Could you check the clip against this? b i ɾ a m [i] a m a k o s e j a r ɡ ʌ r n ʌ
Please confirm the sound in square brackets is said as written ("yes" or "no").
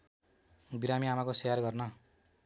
yes